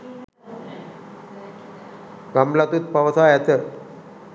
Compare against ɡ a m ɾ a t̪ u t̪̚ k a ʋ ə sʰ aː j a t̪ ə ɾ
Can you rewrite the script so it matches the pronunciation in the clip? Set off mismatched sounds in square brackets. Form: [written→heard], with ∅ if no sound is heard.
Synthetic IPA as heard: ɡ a m [ɾ→l] a t̪ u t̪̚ [k→p] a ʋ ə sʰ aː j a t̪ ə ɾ

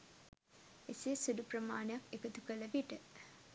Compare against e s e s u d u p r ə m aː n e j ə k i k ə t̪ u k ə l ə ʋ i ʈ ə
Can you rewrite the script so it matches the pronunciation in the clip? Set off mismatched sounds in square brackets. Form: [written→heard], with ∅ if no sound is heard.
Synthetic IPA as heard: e s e s u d u p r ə m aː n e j [ə→a] k [i→e] k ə t̪ u k ə l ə ʋ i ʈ ə

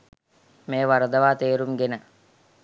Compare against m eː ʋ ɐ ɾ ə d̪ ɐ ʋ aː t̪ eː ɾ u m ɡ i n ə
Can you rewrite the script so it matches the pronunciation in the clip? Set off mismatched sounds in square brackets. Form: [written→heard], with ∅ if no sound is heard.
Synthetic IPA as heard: m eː ʋ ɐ ɾ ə d̪ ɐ ʋ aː t̪ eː ɾ u m ɡ [i→e] n ə

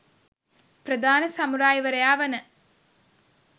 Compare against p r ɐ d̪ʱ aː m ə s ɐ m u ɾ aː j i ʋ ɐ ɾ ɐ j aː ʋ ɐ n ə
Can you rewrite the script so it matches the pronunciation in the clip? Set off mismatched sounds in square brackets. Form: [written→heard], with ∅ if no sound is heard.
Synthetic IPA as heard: p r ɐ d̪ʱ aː [m→n] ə s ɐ m u ɾ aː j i ʋ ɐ ɾ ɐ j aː ʋ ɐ n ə

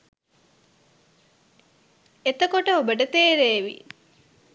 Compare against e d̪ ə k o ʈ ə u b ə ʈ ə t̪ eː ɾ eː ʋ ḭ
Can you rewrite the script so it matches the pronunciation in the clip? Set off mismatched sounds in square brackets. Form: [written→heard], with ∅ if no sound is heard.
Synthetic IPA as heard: e [d̪→t̪] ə k o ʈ ə [u→o] b ə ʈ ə t̪ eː ɾ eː ʋ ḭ

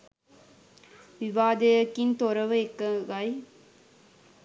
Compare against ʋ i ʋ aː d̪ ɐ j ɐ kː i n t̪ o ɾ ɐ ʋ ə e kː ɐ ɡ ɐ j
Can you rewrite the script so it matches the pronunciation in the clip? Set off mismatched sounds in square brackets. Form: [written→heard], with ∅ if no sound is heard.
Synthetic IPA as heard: ʋ i ʋ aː d̪ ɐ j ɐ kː i n t̪ o ɾ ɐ ʋ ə e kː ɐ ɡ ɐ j

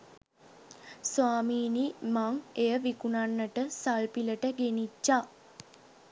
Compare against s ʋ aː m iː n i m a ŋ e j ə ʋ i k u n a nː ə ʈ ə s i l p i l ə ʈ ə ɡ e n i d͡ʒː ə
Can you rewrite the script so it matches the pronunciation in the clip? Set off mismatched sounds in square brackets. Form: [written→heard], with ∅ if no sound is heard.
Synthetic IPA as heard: s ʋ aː m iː n i m a ŋ e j ə ʋ i k u n a nː ə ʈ ə s [i→a] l p i l ə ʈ ə ɡ e n i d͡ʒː [ə→a]

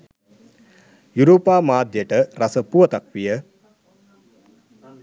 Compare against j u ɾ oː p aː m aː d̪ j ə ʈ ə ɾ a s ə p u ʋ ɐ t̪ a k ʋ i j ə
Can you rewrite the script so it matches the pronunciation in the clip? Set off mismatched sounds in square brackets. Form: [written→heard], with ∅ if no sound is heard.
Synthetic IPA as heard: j u ɾ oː p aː m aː d̪ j ə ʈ ə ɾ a s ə p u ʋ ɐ t̪ a k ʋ i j ə

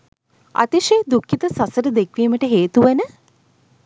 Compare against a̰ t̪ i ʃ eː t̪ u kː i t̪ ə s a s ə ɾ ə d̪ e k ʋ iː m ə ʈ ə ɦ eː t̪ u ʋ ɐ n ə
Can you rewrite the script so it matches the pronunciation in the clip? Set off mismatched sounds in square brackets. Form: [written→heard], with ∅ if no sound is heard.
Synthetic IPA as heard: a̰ t̪ i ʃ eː [t̪→d̪] u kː i t̪ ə s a s ə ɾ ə d̪ e k ʋ iː m ə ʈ ə ɦ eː t̪ u ʋ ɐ n ə

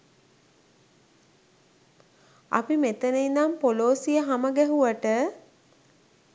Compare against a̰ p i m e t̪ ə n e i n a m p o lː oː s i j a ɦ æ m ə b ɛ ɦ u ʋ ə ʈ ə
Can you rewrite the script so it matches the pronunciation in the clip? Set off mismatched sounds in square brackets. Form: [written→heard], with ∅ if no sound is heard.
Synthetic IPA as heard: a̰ p i m e t̪ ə n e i n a m p o [lː→l] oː s i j [a→ə] ɦ [æ→a] m ə [b→ɡ] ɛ ɦ u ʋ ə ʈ ə

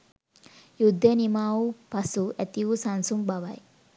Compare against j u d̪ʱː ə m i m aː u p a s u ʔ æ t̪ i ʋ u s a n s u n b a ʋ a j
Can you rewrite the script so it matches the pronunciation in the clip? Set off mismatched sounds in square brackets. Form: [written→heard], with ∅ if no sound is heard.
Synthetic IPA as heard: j u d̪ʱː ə [m→n] i m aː u p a s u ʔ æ t̪ i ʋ u s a n s u [n→m] b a ʋ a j

